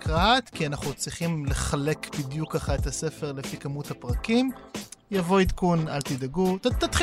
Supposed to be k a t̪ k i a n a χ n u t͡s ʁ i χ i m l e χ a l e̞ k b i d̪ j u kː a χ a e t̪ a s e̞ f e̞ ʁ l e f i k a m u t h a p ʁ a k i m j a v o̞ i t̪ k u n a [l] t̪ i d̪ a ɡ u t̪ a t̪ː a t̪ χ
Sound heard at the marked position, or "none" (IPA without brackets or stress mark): l